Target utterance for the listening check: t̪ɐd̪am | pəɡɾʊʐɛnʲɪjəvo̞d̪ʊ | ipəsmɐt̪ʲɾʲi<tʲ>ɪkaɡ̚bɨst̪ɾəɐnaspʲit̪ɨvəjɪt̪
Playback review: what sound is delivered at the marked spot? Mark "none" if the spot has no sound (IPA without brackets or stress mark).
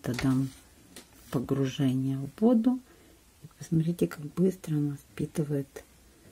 tʲ